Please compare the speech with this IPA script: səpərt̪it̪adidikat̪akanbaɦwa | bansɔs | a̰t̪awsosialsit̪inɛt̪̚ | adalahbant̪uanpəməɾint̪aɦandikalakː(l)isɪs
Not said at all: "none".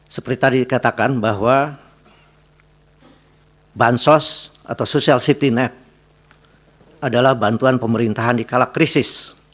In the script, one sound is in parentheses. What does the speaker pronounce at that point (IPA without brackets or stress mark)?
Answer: ɾ